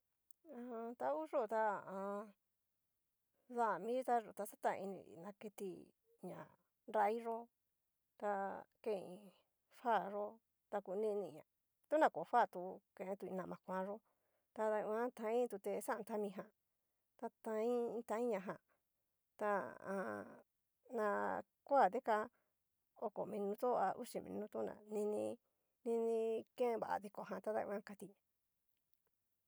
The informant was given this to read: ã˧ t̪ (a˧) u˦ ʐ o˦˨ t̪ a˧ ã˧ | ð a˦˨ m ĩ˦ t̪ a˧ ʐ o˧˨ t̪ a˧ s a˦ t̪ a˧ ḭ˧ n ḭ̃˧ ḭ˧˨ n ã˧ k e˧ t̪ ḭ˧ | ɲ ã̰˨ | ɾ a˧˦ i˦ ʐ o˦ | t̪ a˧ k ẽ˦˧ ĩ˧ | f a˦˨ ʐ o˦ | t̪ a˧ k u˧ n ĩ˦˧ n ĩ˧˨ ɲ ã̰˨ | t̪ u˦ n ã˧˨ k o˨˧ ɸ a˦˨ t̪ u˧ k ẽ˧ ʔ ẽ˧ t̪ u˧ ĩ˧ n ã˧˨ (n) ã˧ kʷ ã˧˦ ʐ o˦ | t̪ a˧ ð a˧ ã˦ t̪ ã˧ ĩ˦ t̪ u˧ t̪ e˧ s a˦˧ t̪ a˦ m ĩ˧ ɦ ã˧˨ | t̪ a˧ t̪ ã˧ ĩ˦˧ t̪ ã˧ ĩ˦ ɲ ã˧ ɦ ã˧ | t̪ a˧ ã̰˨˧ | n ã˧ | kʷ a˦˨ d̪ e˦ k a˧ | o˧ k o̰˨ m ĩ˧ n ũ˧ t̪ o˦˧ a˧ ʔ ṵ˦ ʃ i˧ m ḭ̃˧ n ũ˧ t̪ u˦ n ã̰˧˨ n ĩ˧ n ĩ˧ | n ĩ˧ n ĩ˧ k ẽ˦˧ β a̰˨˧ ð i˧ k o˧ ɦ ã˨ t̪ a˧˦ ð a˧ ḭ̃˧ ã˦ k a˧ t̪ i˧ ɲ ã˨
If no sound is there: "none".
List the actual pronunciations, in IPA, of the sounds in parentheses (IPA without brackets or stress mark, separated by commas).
a˧, m